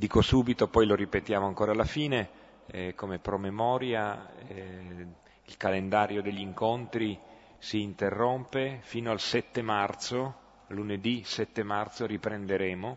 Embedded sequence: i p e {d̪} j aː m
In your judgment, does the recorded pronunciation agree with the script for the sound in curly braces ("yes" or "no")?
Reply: no